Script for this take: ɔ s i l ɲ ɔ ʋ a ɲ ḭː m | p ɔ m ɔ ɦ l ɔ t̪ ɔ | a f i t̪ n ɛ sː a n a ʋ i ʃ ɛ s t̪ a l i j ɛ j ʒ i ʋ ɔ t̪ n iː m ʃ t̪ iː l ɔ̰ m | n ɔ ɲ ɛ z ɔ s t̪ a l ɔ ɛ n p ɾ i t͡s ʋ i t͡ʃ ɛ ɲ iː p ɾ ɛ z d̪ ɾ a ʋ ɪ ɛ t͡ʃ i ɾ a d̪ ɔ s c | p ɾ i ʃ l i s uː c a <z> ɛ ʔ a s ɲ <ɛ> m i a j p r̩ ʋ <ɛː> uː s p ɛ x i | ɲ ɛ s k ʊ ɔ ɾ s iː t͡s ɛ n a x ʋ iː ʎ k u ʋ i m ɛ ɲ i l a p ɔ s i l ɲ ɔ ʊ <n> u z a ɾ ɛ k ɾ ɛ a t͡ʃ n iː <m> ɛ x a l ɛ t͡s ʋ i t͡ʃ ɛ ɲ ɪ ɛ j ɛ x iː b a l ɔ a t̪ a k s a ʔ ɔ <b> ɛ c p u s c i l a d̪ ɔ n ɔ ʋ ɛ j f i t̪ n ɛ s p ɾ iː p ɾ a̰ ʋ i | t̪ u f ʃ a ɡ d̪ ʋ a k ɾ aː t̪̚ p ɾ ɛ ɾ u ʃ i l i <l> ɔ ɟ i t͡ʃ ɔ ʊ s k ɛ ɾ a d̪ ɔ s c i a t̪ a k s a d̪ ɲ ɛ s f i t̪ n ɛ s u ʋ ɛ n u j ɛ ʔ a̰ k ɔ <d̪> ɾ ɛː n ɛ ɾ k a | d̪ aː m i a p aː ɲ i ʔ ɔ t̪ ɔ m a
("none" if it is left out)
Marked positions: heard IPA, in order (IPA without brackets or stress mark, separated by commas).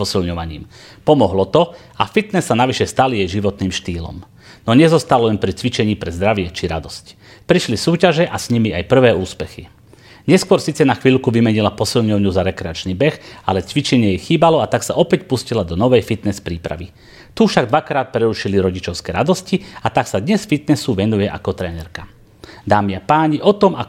ʒ, i, ɛː, ɲ, b, p, ɾ, t̪